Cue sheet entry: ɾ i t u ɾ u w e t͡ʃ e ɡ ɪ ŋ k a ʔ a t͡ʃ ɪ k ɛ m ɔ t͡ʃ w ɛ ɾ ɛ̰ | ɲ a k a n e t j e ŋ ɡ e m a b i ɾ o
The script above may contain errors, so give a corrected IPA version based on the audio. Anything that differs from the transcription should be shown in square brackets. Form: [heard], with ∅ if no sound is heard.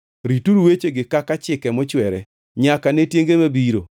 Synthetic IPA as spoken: ɾ i t u ɾ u w e t͡ʃ e ɡ ɪ [∅] k a [k] a t͡ʃ ɪ k ɛ m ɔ t͡ʃ w ɛ ɾ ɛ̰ | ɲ a k a n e t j e ŋ ɡ e m a b i ɾ o